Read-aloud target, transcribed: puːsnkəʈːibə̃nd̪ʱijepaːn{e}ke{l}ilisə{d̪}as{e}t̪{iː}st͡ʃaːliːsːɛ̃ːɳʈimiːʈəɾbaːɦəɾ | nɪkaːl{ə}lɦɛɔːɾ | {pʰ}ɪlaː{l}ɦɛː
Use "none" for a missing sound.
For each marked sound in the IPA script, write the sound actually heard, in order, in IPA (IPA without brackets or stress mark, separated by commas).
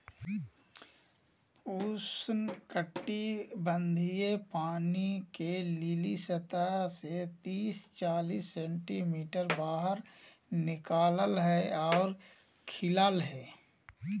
i, l, t̪, e, iː, ə, kʰ, l